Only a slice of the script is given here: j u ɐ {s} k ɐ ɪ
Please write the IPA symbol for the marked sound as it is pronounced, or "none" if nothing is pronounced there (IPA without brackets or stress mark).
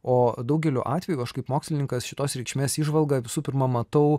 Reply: ʃ